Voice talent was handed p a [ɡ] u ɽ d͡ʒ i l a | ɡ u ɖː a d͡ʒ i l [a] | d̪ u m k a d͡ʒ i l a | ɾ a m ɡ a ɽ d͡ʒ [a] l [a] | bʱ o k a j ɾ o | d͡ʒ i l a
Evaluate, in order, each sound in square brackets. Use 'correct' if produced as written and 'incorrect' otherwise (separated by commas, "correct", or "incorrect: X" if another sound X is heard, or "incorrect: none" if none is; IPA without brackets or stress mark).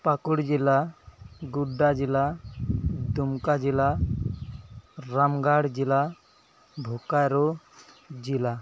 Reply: incorrect: k, correct, incorrect: i, correct